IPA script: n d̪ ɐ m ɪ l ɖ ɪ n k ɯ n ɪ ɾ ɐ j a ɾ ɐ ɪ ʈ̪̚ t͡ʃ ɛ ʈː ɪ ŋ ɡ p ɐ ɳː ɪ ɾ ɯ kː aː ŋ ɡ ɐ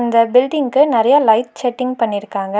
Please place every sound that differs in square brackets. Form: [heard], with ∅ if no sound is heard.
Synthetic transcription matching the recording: n d̪ ɐ [b] ɪ l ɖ ɪ [ŋ] k ɯ n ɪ ɾ ɐ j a [l] ɐ ɪ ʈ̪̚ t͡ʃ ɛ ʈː ɪ ŋ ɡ p ɐ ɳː ɪ ɾ ɯ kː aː ŋ ɡ ɐ